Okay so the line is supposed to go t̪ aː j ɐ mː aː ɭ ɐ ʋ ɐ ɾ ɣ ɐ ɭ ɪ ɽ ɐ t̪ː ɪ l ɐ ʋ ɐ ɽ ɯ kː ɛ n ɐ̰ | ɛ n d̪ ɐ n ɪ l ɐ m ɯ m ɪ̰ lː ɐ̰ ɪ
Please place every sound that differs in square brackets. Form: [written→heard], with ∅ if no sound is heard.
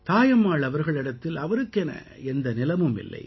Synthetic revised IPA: t̪ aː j ɐ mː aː ɭ ɐ ʋ ɐ ɾ ɣ ɐ ɭ ɪ ɽ ɐ t̪ː ɪ l ɐ ʋ ɐ [ɽ→ɾ] ɯ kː ɛ n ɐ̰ | ɛ n d̪ ɐ n ɪ l ɐ m ɯ m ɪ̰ lː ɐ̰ ɪ